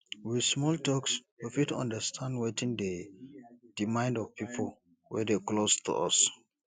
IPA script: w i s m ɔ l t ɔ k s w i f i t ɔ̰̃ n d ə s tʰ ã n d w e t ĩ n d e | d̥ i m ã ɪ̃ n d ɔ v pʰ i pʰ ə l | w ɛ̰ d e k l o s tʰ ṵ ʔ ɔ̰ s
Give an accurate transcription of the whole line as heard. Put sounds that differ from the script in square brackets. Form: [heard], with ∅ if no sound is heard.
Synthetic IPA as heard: w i s m ɔ l t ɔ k s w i f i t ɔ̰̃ n d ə s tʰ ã n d w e t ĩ n d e | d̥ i m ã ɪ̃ n d ɔ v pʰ i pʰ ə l | w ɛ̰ d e k l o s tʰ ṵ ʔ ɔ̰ s

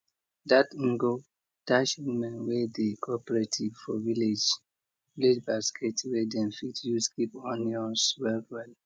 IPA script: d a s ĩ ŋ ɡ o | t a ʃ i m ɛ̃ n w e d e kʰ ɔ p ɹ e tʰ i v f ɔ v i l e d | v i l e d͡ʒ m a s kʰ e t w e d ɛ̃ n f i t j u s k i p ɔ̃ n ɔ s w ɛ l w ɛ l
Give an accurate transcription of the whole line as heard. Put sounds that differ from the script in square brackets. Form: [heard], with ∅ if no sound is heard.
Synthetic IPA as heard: d a [t] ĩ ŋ ɡ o | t a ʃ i m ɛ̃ n w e d e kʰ ɔ p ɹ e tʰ i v f ɔ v i l e [d͡ʒ] | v i l e d͡ʒ [b] a s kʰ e t w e d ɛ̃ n f i t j u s k i p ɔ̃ n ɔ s w ɛ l w ɛ l

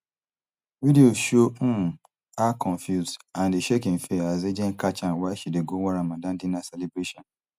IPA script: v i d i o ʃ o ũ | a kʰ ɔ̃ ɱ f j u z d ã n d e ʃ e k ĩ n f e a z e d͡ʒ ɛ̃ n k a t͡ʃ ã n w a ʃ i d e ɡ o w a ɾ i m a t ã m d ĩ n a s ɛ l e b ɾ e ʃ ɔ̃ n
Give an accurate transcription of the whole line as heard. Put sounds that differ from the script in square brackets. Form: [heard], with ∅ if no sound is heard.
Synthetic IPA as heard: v i d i o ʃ o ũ | a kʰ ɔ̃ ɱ f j u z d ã n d e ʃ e k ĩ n f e a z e d͡ʒ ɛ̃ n k a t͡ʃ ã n w a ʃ i d e ɡ o w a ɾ [a] m a [d] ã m d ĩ n a s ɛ l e b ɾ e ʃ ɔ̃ n

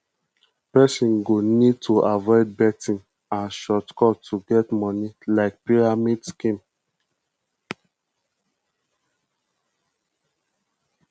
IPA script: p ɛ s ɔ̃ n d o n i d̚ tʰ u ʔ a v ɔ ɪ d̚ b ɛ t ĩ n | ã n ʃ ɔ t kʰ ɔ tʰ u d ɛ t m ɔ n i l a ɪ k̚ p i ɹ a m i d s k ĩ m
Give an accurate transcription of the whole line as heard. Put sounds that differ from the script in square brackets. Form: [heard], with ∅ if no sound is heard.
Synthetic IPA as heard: p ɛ s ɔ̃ n [ɡ] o n i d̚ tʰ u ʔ a v ɔ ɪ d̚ b ɛ t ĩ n | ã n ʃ ɔ t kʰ ɔ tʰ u [ɡ] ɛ t m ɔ n i l a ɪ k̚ p i ɹ a m i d s k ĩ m

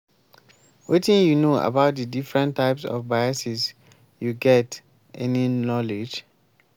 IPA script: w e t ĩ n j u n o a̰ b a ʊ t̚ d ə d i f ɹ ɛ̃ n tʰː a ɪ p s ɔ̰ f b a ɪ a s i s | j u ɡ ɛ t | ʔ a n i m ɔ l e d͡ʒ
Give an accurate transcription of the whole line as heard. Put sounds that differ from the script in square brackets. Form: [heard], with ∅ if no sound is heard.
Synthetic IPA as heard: w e t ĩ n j u n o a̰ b a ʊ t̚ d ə d i f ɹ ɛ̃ n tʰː a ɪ p s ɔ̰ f b a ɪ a s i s | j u ɡ ɛ t | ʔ [ɛ] n i [n] ɔ l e d͡ʒ

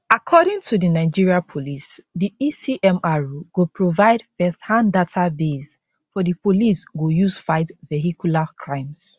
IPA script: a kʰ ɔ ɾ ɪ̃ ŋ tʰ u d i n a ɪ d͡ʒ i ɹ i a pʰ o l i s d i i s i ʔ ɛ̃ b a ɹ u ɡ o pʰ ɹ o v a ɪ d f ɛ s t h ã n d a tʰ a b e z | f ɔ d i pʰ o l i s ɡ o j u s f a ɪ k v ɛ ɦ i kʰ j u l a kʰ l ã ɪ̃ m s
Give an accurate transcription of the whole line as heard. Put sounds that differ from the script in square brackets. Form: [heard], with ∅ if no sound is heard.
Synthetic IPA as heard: a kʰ ɔ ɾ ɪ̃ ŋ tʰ u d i n a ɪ d͡ʒ i ɹ i a pʰ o l i s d i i s i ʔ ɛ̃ [m] a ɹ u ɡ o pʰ ɹ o v a ɪ d f ɛ s t h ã n d a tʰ a b e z | f ɔ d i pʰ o l i s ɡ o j u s f a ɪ [t] v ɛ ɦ i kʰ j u l a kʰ [ɹ] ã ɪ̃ m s

